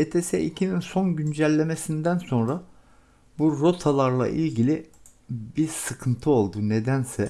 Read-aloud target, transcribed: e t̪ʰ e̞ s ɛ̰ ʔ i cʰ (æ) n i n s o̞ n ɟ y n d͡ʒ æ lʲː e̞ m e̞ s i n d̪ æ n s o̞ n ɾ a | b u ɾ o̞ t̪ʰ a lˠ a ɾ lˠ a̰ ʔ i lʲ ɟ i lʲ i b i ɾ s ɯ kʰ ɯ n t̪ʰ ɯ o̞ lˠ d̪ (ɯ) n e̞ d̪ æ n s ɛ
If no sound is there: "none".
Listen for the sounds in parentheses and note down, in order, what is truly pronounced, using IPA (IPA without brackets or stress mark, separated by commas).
i, u